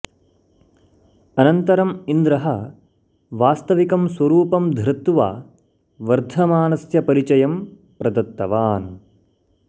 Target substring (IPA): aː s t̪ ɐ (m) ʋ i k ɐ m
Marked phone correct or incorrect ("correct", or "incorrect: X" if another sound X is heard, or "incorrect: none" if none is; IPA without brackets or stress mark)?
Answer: incorrect: none